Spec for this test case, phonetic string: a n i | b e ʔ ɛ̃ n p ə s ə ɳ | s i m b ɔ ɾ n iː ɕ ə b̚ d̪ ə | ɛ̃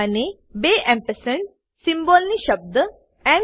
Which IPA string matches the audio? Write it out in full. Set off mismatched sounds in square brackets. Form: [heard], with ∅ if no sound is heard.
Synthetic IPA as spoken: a n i | b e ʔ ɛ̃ [m] p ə s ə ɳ | s i m b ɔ [l] n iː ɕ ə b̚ d̪ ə | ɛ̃